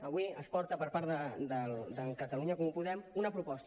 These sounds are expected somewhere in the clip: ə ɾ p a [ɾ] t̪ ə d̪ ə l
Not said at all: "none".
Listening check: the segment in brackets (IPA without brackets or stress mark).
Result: ɾ